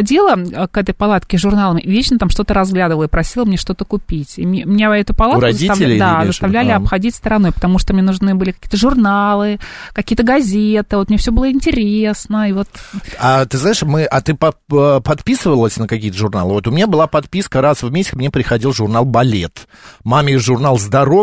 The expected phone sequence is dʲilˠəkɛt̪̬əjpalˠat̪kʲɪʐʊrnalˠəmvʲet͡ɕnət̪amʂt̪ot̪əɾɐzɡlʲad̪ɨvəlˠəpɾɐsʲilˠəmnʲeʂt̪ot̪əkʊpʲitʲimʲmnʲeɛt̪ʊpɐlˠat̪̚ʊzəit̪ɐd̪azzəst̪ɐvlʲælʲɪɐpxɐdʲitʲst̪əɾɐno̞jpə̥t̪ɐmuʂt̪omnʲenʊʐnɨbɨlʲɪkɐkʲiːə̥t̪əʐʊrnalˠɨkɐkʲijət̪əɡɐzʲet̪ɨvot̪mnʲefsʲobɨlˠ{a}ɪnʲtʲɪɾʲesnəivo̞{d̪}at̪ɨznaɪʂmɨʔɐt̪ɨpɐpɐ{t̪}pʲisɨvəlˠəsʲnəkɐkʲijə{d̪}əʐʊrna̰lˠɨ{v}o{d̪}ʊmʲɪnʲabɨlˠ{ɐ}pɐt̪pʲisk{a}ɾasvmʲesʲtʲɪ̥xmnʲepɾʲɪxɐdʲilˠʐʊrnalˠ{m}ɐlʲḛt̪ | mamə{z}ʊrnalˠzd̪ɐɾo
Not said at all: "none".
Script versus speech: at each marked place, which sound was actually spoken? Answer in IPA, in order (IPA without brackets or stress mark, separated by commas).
ə, t̪, t̪, t̪, v, t̪, a, ə, b, ʐ